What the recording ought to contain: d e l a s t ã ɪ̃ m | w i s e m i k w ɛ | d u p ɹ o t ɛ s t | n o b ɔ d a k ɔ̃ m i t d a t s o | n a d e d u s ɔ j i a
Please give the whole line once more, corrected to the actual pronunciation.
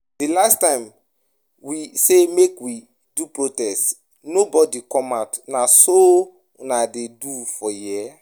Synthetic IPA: d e l a s t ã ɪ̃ m | w i s e m e k w i | d u p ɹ o t ɛ s t | n o b ɔ d i k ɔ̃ m a t n a s o | n a d e d u f ɔ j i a